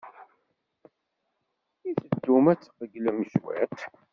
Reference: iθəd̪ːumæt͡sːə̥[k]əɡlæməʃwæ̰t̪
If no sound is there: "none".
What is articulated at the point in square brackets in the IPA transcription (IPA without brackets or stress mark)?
q